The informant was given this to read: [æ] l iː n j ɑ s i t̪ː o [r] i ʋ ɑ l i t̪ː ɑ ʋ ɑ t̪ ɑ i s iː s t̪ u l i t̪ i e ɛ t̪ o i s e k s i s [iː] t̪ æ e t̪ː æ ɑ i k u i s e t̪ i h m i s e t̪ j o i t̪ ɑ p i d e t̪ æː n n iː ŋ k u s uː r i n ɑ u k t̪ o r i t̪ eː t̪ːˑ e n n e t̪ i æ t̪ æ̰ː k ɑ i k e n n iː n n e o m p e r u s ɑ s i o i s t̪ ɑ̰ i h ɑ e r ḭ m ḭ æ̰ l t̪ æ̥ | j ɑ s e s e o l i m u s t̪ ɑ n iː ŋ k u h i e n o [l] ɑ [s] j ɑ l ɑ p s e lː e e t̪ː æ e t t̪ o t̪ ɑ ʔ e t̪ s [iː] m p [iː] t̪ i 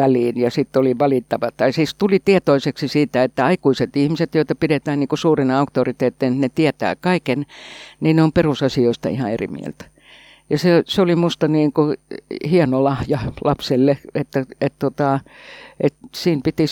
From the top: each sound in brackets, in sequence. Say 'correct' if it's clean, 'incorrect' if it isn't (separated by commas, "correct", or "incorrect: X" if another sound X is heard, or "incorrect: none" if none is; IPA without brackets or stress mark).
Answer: correct, incorrect: l, correct, correct, incorrect: h, correct, incorrect: i